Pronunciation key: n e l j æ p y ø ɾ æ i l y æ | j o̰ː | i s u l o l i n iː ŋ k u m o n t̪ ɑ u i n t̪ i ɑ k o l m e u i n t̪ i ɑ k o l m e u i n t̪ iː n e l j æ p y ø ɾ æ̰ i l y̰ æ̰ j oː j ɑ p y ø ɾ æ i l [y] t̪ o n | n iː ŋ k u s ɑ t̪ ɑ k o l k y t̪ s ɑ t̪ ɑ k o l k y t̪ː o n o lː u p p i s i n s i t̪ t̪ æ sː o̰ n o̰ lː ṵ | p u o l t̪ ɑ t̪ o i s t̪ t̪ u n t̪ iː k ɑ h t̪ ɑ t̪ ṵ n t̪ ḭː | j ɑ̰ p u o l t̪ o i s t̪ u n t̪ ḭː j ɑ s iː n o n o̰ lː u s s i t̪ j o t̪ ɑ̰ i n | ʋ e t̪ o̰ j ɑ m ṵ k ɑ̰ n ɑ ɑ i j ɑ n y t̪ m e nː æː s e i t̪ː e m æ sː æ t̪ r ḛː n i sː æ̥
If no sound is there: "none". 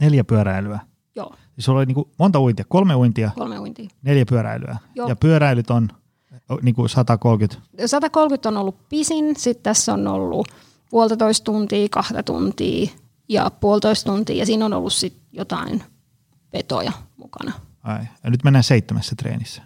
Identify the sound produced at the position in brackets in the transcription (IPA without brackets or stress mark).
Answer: y